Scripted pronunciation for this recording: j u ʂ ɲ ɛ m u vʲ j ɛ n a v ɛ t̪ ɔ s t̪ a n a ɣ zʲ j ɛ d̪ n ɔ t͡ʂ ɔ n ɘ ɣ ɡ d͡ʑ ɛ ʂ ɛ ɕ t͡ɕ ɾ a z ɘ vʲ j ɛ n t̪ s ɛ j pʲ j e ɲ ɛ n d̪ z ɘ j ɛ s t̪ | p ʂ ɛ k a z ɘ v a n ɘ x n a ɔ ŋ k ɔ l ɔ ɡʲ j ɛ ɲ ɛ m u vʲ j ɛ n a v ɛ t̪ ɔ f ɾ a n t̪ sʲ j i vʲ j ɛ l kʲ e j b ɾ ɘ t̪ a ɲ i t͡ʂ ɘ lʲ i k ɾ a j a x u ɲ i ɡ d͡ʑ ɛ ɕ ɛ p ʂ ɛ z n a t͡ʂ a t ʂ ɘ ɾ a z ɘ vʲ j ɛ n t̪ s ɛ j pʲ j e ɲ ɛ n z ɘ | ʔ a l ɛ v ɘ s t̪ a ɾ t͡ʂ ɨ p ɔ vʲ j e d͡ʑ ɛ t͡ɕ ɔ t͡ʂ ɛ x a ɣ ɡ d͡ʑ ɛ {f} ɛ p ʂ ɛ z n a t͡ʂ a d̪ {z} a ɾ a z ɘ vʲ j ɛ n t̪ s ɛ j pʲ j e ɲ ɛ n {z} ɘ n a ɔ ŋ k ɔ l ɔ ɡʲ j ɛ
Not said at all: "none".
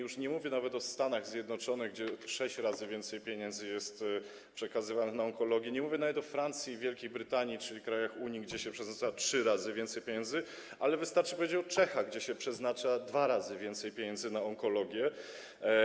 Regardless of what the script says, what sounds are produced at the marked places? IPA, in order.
ɕ, v, z

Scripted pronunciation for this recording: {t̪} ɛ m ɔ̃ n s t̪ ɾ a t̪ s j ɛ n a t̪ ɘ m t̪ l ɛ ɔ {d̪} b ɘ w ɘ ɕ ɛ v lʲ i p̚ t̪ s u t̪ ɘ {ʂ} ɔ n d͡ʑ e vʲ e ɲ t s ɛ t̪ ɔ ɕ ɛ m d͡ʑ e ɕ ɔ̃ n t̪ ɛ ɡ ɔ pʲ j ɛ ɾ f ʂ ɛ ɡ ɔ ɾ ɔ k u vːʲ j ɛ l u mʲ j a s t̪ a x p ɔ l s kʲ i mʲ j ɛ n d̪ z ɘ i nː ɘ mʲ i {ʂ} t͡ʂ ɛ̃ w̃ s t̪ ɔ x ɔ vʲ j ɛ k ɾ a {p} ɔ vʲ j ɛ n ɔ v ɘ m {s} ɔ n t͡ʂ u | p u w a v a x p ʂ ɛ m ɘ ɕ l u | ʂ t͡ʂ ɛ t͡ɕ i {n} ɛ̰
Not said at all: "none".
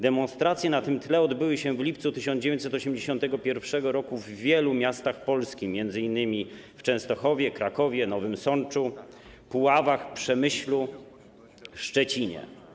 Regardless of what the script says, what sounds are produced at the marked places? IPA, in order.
d̪, d̪, ɕ, f, k, s, ɲ

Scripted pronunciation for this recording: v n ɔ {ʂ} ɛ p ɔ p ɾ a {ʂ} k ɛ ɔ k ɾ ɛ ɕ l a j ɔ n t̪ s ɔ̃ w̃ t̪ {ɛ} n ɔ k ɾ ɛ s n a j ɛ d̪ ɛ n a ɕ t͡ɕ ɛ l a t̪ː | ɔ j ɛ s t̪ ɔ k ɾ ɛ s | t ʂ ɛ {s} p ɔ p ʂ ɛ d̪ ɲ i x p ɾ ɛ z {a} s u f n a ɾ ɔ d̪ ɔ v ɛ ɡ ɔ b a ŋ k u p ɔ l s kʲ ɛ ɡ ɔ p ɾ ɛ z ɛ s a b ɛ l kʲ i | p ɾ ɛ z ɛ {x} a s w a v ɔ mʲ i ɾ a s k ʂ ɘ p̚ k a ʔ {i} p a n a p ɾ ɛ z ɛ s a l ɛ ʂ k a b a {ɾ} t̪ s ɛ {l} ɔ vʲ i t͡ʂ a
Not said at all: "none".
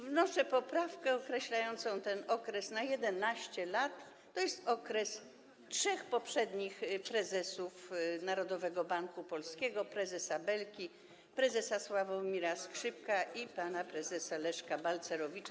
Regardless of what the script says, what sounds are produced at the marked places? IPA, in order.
ʂ, f, ɛ, x, ɛ, s, i, l, ɾ

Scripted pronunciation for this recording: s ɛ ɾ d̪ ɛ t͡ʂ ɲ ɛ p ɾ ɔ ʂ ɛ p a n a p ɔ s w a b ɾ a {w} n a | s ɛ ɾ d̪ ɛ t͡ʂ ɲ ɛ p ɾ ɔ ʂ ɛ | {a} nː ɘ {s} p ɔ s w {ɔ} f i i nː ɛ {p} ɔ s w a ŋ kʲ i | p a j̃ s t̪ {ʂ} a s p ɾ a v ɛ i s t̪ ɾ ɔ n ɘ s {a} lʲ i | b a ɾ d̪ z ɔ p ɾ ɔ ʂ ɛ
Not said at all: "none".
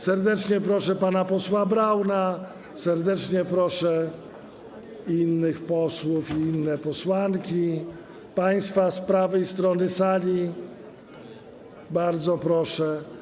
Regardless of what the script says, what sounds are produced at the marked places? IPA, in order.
w, i, x, u, p, f, a

